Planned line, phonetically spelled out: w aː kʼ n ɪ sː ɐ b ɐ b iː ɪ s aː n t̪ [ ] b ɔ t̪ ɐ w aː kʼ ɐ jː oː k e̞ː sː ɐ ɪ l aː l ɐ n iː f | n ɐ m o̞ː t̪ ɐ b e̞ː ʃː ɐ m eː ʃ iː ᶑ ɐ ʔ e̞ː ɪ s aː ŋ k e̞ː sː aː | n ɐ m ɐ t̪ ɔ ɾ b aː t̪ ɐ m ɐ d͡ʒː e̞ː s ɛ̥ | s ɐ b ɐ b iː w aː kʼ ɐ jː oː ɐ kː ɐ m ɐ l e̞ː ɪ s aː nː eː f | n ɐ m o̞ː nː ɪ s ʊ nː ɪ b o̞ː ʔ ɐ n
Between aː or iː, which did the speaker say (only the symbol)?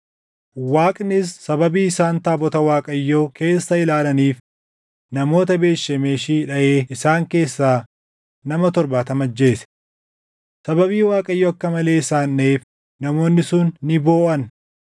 aː